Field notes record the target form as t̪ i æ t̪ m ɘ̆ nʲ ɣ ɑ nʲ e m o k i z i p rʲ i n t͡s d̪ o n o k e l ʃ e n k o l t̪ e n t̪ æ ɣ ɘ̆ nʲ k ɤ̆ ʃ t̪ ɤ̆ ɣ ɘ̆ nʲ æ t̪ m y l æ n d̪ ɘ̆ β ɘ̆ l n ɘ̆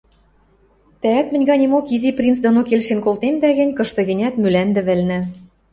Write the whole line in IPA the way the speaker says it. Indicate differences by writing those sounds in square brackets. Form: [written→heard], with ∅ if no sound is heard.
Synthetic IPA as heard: t̪ [i→æ] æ t̪ m ɘ̆ nʲ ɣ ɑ nʲ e m o k i z i p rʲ i n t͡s d̪ o n o k e l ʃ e n k o l t̪ e n [t̪→d̪] æ ɣ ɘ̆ nʲ k ɤ̆ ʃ t̪ ɤ̆ ɣ ɘ̆ nʲ æ t̪ m y l æ n d̪ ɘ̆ β ɘ̆ l n ɘ̆